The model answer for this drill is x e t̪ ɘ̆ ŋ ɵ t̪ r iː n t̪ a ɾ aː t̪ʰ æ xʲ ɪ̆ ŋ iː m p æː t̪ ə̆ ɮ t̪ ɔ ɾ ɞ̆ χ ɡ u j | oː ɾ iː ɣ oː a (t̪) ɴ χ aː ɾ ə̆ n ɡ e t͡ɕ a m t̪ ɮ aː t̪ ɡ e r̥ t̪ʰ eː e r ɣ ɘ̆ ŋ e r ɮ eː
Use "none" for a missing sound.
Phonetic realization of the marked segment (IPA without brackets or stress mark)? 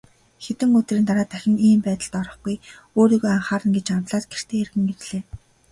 none